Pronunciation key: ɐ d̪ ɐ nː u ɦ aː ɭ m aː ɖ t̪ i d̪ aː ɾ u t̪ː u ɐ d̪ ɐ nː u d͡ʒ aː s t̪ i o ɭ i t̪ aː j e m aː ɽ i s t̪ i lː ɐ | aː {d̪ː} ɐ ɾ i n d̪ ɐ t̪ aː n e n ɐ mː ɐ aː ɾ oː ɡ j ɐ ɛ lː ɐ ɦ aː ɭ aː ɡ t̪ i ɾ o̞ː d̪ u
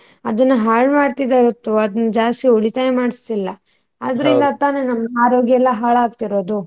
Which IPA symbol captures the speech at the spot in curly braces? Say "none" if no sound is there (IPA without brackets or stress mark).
d̪